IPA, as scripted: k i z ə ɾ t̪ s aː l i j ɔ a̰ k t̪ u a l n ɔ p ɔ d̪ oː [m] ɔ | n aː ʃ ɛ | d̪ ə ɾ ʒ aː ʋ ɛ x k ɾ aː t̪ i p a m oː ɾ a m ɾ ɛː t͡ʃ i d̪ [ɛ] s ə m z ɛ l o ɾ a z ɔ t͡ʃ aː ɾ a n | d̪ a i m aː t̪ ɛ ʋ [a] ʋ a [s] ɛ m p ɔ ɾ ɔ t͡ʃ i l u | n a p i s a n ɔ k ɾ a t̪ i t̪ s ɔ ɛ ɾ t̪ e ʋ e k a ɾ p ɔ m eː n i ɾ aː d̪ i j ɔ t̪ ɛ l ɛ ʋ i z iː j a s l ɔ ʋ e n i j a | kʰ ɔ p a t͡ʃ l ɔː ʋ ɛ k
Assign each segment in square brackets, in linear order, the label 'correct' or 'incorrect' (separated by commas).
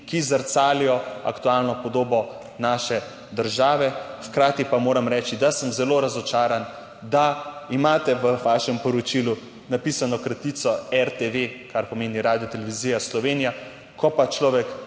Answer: incorrect, incorrect, incorrect, incorrect